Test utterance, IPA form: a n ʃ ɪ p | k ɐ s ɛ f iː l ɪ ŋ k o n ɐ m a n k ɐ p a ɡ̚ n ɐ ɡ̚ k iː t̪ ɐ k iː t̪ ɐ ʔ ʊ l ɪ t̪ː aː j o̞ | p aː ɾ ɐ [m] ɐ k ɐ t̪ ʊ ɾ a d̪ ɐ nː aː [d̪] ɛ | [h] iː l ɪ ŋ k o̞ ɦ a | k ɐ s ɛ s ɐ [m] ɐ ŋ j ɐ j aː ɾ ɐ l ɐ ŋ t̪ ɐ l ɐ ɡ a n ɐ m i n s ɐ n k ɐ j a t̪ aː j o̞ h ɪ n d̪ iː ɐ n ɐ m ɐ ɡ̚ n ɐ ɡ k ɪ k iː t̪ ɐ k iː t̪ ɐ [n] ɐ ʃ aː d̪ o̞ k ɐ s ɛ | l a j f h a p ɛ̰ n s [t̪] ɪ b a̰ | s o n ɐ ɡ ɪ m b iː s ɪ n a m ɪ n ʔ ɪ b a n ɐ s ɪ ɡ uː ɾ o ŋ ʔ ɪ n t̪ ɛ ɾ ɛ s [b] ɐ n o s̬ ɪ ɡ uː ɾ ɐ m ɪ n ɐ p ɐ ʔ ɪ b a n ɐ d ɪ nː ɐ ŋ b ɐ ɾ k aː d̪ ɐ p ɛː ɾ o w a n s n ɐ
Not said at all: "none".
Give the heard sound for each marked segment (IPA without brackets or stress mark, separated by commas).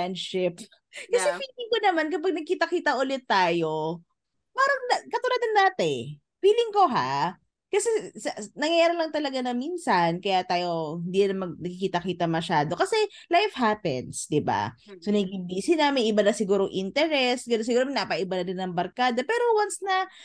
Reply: ŋ, t̪, f, n, m, d̪, ɡ